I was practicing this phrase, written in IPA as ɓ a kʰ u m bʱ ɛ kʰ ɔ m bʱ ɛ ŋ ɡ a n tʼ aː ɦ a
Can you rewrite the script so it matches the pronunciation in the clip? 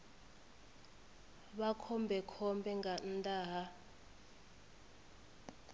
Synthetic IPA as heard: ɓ a kʰ ɔ m bʱ ɛ kʰ ɔ m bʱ ɛ ŋ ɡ a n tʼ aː ɦ a